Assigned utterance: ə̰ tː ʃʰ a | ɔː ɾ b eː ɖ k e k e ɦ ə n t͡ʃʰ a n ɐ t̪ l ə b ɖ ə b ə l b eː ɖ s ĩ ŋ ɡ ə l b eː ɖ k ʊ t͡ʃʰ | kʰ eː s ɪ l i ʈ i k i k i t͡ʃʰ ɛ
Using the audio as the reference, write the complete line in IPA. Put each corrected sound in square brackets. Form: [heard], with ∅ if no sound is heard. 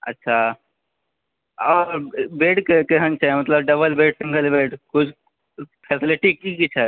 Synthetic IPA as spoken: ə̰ tː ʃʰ a | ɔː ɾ b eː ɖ k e k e ɦ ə n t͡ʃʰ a [m] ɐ t̪ l ə b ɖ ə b ə l b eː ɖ s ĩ ŋ ɡ ə l b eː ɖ k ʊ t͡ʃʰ | [pʰ] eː s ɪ l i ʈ i k i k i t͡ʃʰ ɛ